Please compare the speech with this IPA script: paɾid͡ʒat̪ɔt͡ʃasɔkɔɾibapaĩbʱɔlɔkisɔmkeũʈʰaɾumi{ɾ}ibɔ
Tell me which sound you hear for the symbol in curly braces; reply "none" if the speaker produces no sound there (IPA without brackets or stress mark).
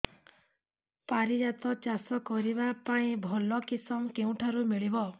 ɭ